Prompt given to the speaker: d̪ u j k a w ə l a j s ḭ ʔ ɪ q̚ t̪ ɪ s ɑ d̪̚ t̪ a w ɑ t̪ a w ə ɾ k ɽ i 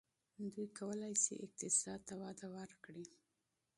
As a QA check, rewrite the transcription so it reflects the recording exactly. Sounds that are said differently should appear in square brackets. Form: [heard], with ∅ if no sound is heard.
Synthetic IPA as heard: d̪ u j k a w ə l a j s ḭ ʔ ɪ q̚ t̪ ɪ s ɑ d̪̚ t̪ a w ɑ [d̪] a w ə ɾ k ɽ i